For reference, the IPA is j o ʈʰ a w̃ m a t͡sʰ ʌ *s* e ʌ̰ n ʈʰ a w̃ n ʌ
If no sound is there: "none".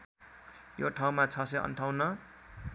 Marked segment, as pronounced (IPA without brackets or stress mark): s